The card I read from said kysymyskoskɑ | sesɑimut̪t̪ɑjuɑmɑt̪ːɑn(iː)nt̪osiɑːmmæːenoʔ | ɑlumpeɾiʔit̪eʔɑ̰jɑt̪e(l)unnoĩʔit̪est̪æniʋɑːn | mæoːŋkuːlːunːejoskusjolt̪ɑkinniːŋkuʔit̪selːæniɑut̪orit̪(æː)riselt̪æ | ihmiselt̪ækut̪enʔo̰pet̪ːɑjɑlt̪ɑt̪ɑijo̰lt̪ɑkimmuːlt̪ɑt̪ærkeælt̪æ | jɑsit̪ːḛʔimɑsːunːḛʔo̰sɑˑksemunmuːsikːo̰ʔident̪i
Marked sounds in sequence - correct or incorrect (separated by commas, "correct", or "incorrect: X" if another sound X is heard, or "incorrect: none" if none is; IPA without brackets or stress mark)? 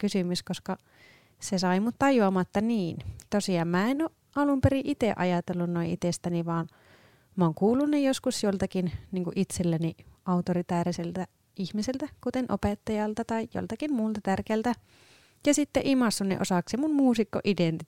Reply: correct, incorrect: lː, correct